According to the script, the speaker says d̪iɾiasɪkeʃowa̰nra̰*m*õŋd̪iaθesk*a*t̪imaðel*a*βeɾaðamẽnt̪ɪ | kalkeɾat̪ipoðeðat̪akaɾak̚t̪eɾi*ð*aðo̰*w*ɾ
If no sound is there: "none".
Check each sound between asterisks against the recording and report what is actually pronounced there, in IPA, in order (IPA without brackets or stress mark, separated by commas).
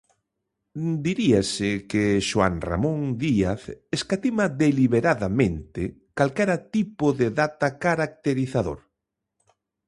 m, a, i, θ, none